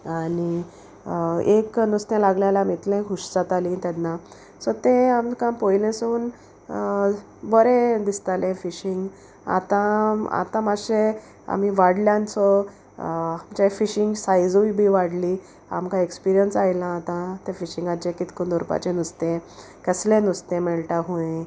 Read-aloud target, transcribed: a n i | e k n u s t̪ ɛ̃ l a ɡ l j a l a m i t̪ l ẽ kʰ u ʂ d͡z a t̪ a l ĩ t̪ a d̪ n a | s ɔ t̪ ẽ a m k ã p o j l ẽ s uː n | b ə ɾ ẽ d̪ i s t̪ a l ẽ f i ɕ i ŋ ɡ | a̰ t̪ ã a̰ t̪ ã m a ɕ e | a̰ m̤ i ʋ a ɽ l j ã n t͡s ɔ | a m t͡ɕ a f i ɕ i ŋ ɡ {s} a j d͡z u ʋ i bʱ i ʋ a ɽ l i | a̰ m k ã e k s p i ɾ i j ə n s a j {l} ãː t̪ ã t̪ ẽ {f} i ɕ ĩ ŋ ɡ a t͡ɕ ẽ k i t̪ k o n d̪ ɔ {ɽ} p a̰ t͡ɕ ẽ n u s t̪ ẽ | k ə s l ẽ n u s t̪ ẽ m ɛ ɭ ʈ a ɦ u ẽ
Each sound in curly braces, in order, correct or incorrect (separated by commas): correct, correct, correct, incorrect